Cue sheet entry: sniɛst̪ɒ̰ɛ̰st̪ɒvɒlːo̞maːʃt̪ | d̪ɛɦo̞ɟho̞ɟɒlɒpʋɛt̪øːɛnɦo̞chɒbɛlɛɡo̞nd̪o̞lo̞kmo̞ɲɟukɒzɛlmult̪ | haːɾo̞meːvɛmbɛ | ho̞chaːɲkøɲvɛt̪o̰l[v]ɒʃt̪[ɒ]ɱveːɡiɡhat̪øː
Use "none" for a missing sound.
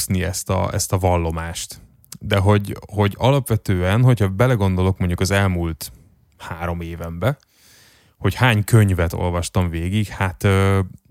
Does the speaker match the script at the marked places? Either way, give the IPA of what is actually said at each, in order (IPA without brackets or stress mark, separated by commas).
v, ɒ